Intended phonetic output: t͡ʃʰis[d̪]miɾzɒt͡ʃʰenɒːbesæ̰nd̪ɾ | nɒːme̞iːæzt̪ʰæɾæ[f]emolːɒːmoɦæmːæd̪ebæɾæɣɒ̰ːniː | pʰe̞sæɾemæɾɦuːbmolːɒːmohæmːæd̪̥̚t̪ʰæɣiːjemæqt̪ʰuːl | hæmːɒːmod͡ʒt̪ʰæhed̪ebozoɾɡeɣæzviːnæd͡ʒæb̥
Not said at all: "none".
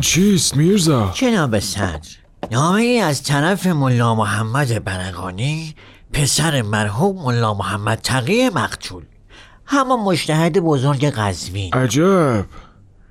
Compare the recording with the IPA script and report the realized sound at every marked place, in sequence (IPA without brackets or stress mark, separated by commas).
t̪, f